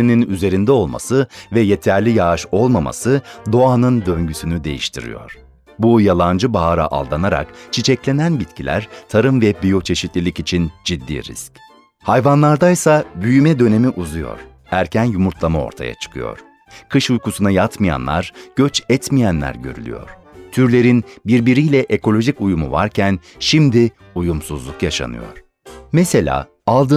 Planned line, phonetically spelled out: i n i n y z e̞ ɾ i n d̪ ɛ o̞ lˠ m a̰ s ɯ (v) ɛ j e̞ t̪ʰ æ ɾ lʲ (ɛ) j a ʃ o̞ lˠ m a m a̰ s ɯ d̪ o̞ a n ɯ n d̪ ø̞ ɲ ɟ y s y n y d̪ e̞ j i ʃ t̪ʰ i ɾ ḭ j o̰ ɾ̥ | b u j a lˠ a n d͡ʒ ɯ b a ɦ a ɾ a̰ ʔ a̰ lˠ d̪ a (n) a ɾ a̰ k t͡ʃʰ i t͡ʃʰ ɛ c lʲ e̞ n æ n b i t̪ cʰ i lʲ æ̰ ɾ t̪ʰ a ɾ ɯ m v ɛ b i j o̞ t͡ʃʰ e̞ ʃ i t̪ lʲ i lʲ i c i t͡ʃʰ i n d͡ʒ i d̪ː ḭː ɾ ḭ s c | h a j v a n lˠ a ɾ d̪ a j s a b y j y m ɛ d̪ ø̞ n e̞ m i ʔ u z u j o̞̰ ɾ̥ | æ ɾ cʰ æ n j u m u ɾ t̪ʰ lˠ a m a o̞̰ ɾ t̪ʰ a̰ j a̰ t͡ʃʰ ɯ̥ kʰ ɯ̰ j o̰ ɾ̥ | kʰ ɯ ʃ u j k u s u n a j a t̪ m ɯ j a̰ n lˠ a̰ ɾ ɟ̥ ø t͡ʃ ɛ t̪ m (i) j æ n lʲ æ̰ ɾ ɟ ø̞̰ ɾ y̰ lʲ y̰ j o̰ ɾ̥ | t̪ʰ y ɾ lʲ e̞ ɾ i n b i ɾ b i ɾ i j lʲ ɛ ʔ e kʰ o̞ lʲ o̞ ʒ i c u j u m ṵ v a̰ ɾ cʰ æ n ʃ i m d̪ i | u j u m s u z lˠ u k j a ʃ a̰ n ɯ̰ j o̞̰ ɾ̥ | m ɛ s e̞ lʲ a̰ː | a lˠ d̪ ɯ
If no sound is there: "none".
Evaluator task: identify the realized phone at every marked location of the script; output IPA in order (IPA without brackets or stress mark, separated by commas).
v, i, n, i